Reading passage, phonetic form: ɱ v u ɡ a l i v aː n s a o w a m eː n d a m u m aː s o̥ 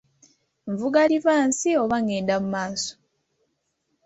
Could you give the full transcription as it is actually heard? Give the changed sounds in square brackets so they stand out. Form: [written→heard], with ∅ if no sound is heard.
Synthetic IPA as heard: ɱ v u ɡ a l i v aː n s [a→i] o [w→β] a [m→ŋ] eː n d a m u m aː s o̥